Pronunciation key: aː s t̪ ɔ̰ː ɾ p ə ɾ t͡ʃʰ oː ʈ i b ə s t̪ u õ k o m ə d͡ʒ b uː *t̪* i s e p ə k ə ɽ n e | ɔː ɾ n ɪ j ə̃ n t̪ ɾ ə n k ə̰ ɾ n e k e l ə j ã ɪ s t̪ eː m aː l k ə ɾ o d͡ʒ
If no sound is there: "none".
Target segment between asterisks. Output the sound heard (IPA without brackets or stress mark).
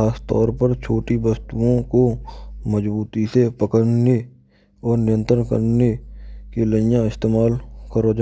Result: t̪